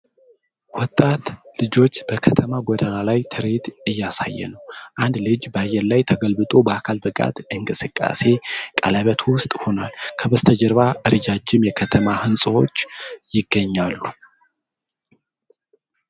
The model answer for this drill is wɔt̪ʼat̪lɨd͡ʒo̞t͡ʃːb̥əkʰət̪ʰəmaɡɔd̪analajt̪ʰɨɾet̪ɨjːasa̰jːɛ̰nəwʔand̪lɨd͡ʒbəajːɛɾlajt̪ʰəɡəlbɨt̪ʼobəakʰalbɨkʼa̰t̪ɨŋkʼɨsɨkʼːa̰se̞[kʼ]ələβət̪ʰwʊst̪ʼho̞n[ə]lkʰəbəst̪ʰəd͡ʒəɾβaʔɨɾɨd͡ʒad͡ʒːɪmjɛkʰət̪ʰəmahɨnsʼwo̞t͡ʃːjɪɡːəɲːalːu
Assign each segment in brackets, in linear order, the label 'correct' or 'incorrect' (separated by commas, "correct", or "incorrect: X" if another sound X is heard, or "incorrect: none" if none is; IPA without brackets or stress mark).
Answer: correct, incorrect: a